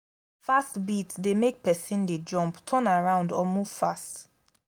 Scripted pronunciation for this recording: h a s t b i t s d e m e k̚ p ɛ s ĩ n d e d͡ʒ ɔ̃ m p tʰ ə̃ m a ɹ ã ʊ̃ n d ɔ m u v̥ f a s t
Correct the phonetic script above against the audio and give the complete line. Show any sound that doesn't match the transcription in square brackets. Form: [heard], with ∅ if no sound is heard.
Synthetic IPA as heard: [f] a s t b i t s d e m e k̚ p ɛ s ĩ n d e d͡ʒ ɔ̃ m p tʰ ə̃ [n] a ɹ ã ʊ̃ n d ɔ m u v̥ f a s t